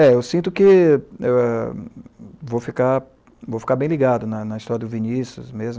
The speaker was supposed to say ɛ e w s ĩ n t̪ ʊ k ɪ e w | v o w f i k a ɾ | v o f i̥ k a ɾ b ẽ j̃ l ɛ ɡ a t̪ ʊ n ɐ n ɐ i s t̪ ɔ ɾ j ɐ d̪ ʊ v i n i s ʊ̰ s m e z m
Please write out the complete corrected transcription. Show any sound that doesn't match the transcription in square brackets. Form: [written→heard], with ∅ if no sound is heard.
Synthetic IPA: ɛ e w s ĩ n t̪ ʊ k ɪ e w | v o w f i k a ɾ | v o f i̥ k a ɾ b ẽ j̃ l [ɛ→i] ɡ a [t̪→d̪] ʊ n ɐ n ɐ i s t̪ ɔ ɾ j ɐ d̪ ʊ v i n i s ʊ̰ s m e z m